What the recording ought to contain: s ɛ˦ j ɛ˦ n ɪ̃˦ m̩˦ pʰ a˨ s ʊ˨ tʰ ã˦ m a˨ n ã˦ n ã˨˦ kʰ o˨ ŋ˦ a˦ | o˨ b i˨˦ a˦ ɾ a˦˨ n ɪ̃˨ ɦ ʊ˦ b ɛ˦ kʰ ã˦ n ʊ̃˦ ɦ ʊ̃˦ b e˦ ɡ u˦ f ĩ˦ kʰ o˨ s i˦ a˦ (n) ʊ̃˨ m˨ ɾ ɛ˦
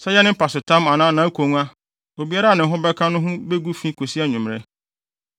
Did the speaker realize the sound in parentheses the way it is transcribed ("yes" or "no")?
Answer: no